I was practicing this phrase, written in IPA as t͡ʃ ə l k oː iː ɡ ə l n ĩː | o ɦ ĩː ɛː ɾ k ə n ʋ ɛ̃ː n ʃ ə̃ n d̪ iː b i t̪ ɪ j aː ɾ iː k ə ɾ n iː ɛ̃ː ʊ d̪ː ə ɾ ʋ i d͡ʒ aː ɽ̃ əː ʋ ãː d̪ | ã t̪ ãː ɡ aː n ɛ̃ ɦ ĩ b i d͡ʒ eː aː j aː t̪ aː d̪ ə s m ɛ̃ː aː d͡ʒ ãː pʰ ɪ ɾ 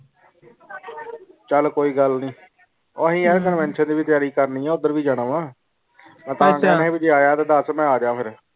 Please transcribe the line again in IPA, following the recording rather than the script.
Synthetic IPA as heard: t͡ʃ ə l k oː iː ɡ ə l n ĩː | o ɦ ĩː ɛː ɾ k ə n ʋ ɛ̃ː n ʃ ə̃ n d̪ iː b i t̪ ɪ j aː ɾ iː k ə ɾ n iː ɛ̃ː ʊ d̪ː ə ɾ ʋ iː d͡ʒ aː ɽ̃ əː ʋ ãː | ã t̪ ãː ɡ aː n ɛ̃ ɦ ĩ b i d͡ʒ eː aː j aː t̪ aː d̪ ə s m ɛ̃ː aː d͡ʒ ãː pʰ ɪ ɾ